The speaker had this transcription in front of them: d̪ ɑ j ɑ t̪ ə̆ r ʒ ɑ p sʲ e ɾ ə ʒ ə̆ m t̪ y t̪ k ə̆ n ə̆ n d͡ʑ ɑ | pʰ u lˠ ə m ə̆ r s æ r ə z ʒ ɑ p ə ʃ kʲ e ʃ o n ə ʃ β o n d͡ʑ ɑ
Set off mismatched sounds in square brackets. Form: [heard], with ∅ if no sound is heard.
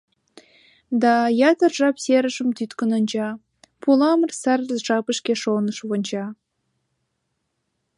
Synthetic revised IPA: d̪ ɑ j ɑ t̪ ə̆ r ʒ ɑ p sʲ e ɾ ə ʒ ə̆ m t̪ y t̪ k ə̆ n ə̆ n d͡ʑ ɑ | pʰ u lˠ [ɑ] m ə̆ r s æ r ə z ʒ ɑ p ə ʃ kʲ e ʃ o n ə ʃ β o n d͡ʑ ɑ